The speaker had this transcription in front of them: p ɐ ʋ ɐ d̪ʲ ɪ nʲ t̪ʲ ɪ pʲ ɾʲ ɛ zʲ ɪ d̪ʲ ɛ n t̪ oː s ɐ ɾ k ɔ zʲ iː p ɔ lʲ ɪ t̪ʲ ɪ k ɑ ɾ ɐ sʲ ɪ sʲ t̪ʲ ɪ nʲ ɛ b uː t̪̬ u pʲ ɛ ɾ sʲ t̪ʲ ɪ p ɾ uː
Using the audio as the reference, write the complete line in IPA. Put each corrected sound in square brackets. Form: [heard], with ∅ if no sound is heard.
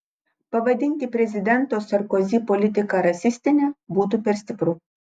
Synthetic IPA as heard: p ɐ ʋ ɐ d̪ʲ ɪ nʲ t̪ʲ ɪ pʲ ɾʲ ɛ zʲ ɪ d̪ʲ ɛ n t̪ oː s ɐ ɾ k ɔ zʲ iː p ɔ lʲ ɪ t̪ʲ ɪ k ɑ ɾ ɐ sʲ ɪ sʲ t̪ʲ ɪ nʲ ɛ b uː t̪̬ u pʲ ɛ ɾ sʲ t̪ʲ ɪ p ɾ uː